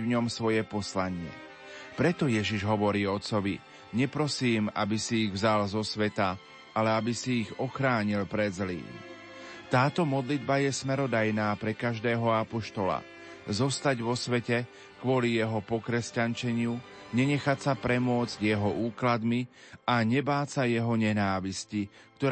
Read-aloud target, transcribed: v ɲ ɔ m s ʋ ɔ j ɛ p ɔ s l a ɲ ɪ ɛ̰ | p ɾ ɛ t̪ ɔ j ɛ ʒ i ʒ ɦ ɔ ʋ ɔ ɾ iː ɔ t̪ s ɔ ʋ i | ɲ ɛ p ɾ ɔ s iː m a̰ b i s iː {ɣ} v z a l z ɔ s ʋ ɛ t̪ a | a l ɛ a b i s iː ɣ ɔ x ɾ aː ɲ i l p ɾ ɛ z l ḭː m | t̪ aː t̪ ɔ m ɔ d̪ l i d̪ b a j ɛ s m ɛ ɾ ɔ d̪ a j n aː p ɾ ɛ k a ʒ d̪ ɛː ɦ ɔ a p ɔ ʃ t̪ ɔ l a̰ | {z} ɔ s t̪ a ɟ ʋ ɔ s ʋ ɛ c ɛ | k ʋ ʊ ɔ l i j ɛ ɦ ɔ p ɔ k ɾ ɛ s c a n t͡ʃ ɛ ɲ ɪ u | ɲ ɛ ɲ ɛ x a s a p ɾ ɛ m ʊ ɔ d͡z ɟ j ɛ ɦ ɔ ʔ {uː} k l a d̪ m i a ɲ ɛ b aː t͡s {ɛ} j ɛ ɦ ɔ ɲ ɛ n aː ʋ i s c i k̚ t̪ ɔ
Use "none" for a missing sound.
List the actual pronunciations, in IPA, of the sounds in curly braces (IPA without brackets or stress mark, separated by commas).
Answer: ɣ, z, uː, a